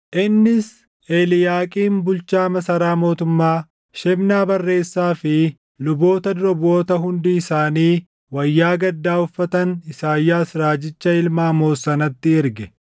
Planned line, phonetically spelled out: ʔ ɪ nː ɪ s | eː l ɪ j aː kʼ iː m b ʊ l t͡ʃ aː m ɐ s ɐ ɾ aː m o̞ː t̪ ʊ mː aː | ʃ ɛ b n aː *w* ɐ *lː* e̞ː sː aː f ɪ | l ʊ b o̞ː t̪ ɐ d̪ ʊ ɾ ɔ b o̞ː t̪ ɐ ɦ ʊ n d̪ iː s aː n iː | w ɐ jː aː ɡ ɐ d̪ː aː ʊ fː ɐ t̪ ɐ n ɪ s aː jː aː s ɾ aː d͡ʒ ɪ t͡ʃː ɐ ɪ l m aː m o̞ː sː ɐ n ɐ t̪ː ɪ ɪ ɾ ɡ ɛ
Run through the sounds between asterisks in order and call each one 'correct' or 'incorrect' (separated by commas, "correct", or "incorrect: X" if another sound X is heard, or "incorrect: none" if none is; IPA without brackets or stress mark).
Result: incorrect: b, incorrect: rː